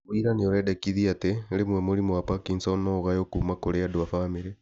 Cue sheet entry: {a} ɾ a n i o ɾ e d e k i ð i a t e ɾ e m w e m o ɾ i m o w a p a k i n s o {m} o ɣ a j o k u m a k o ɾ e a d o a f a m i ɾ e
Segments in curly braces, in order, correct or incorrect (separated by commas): incorrect, incorrect